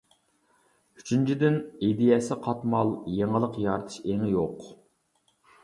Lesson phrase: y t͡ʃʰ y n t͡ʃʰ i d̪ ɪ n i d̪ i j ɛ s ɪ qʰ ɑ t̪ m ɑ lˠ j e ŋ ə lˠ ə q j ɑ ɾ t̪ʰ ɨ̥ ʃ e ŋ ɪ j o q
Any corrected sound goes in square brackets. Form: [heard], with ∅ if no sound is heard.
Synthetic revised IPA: y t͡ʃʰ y n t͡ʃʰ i d̪ ɪ n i d̪ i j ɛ s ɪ qʰ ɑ t̪ m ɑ lˠ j e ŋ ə lˠ ə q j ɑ ɾ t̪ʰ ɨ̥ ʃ e ŋ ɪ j o q